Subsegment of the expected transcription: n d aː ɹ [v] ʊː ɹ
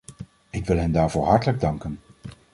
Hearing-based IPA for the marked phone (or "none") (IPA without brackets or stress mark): v